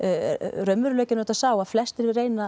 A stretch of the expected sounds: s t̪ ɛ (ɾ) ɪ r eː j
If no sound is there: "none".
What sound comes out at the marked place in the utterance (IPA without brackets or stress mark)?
ɾ